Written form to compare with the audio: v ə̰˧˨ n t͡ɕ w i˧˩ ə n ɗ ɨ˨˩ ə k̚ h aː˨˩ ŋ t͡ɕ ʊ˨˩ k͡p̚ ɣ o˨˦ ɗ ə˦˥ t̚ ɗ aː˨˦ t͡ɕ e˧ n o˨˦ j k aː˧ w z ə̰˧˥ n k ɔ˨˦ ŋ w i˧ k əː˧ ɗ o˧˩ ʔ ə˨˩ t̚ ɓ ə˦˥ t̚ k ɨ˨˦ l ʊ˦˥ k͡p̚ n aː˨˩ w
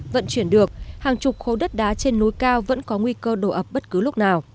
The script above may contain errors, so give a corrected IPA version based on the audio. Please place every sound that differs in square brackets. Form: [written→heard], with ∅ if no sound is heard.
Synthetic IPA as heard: v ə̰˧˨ n t͡ɕ w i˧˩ ə n ɗ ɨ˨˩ ə k̚ h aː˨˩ ŋ t͡ɕ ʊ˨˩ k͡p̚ [ɣ→x] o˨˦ ɗ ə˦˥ t̚ ɗ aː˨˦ t͡ɕ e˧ [n→nː] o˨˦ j k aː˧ w [z→v] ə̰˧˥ n k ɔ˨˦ ŋ w i˧ k əː˧ ɗ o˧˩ ʔ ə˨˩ [t̚→p̚] ɓ ə˦˥ t̚ k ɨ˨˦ l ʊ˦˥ k͡p̚ n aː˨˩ w